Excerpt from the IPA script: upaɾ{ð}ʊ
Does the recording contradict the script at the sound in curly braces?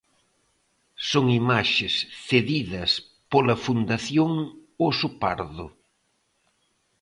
no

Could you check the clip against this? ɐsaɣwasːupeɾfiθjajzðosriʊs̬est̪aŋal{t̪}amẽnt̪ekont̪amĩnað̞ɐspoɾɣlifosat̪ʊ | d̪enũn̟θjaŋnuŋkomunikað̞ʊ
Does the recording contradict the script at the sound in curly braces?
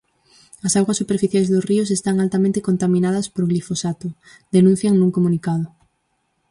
no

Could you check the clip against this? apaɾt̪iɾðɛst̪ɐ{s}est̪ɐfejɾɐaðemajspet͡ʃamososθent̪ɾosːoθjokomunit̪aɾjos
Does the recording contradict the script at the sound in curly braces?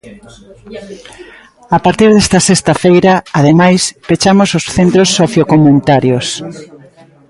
no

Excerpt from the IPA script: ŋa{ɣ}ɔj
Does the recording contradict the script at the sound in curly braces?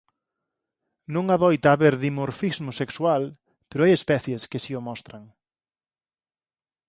yes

